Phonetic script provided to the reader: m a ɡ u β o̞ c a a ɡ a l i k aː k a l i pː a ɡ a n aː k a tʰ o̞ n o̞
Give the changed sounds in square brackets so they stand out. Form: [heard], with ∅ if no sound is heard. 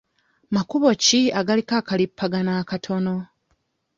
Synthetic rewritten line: m a [k] u β o̞ c [i] a ɡ a l i k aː k a l i pː a ɡ a n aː k a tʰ o̞ n o̞